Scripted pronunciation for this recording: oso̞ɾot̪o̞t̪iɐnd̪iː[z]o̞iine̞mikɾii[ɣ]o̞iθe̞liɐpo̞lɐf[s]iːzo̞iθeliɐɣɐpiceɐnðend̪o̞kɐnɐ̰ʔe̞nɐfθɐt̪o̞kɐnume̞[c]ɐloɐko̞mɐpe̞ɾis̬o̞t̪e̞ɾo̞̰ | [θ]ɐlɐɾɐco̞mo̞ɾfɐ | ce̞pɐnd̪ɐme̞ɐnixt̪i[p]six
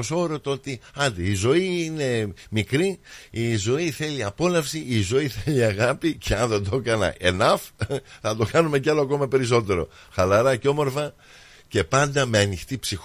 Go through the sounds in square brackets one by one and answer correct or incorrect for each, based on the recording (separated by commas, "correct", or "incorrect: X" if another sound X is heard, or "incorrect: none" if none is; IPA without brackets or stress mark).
correct, incorrect: z, correct, correct, incorrect: x, correct